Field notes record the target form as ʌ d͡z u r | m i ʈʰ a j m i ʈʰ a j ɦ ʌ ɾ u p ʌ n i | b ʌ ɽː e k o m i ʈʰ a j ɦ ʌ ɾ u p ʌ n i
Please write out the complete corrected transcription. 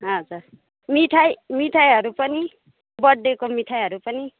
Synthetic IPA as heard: ʌ d͡z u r | m i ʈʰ a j m i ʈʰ a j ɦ ʌ ɾ u p ʌ n i | b ʌ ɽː e k o m i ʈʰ a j ɦ ʌ ɾ u p ʌ n i